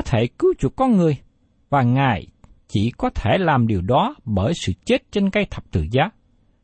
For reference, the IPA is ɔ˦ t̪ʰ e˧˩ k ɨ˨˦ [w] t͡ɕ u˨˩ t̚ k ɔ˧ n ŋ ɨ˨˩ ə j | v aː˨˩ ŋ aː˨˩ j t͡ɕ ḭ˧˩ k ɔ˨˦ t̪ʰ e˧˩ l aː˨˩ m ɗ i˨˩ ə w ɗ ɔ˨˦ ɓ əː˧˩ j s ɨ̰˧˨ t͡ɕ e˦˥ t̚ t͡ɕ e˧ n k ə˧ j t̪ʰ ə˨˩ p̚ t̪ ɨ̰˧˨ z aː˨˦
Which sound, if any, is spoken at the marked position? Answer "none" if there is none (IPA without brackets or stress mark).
w